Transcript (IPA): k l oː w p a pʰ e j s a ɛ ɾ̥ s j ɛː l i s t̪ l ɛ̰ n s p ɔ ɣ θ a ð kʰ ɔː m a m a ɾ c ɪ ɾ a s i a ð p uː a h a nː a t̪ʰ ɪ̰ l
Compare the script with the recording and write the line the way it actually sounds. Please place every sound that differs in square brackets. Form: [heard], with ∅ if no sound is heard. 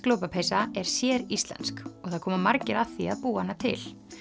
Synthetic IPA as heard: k l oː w p a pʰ e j s a ɛ ɾ̥ s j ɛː [ɾ] i s t̪ l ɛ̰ n s [k] ɔ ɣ θ a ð kʰ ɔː m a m a ɾ c ɪ ɾ a [θ] i a ð p uː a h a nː a t̪ʰ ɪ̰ l